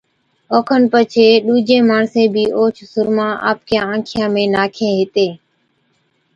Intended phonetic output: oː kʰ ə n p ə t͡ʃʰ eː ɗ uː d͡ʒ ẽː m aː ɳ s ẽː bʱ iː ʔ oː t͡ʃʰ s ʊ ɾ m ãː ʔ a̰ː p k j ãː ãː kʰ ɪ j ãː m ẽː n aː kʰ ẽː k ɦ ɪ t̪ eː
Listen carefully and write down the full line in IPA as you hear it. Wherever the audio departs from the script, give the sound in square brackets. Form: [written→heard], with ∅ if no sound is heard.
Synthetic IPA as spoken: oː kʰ ə n p ə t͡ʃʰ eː ɗ uː d͡ʒ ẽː m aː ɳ s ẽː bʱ iː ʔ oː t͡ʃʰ s ʊ ɾ m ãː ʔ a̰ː p k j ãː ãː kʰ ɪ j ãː m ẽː n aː kʰ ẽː [k→∅] ɦ ɪ t̪ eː